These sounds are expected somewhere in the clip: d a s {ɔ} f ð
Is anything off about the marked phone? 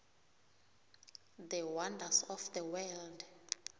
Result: no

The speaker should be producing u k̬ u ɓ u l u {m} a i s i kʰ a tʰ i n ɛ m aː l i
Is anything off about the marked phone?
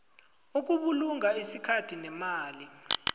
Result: yes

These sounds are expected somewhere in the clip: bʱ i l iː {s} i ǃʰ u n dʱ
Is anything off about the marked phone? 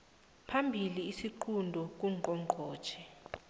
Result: no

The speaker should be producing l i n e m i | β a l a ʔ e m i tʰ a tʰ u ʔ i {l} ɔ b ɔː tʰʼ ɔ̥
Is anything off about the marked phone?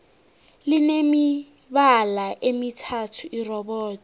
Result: yes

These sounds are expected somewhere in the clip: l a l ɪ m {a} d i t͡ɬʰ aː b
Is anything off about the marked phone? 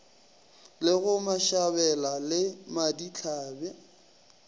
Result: no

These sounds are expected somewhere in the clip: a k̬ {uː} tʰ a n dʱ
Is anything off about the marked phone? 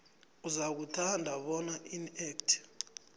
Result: yes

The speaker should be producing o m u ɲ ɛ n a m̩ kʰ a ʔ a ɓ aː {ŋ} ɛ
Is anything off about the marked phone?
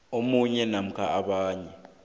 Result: yes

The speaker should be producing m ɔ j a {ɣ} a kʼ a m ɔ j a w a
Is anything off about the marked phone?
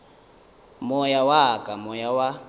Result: yes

